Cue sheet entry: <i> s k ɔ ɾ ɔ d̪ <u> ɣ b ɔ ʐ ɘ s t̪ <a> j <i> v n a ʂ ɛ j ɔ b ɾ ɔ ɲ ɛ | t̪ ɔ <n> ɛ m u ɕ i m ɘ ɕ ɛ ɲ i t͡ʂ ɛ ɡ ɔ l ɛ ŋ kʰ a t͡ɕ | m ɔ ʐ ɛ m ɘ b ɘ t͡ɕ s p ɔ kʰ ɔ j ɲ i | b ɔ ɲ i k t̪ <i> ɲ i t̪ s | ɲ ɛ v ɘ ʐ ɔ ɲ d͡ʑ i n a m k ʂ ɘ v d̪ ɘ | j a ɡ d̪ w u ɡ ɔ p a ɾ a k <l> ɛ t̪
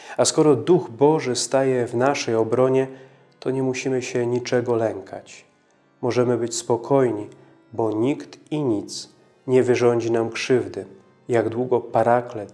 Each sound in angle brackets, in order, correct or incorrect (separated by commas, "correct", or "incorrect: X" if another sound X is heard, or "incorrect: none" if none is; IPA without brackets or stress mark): incorrect: a, correct, correct, incorrect: ɛ, incorrect: ɲ, correct, correct